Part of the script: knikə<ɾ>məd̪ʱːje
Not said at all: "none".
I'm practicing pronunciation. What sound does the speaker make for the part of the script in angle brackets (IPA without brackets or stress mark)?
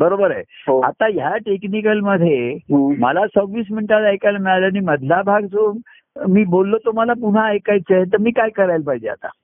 l